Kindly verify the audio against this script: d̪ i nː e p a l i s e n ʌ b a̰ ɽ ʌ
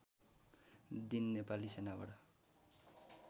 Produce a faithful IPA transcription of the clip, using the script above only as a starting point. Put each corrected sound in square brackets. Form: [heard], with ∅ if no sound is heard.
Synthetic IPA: d̪ i nː e p a l i s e n [a] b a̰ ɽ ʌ